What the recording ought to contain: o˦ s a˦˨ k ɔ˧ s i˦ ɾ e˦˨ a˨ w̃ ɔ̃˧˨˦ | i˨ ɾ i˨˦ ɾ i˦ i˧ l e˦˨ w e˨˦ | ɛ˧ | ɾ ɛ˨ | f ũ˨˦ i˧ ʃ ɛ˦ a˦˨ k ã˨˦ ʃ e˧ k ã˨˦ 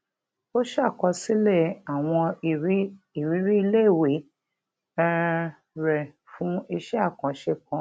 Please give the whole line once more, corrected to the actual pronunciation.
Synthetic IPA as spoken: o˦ ʃ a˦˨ k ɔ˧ s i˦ l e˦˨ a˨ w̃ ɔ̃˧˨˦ | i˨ ɾ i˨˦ ɾ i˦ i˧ l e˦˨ w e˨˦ | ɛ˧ | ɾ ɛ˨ | f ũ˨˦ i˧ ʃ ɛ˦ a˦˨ k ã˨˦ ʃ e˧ k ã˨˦